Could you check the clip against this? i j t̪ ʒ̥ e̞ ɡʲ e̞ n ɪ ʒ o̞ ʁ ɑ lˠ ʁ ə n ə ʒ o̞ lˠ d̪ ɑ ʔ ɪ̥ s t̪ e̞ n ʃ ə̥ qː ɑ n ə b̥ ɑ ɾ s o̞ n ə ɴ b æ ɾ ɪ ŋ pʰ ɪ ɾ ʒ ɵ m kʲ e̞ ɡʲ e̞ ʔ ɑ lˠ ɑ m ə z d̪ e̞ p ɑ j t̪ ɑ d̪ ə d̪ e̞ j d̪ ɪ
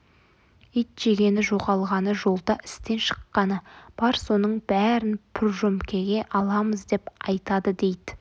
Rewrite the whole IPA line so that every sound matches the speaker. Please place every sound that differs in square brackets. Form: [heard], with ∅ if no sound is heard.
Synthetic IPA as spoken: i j t̪ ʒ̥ e̞ ɡʲ e̞ n ɪ ʒ o̞ ʁ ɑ lˠ ʁ [ɑ] n ə ʒ o̞ lˠ d̪ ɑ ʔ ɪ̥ s t̪ e̞ n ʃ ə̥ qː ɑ n ə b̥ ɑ ɾ s o̞ n ə ɴ b æ ɾ ɪ [n] pʰ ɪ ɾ ʒ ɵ m kʲ e̞ ɡʲ e̞ ʔ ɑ lˠ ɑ m ə z d̪ e̞ p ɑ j t̪ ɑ d̪ ə d̪ e̞ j d̪ ɪ